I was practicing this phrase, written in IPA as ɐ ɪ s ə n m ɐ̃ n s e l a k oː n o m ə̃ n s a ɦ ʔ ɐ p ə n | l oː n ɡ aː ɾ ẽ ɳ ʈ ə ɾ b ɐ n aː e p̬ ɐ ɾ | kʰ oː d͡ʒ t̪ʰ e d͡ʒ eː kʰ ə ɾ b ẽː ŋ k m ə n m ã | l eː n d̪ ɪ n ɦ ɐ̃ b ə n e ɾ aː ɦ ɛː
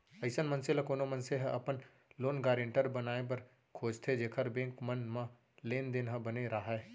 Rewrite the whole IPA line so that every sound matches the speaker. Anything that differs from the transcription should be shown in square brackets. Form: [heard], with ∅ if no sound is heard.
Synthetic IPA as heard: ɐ ɪ s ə n m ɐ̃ n s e l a k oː n o m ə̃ n s [e] ɦ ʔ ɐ p ə n | l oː n ɡ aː ɾ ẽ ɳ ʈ ə ɾ b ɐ n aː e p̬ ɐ ɾ | kʰ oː d͡ʒ t̪ʰ e d͡ʒ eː kʰ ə ɾ b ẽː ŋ k m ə n m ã | l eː n d̪ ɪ n ɦ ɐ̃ b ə n e ɾ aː ɦ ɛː